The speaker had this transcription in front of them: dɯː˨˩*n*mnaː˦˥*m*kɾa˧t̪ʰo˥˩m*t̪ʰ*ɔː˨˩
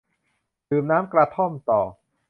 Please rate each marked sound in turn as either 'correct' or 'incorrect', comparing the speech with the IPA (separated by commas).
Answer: incorrect, correct, incorrect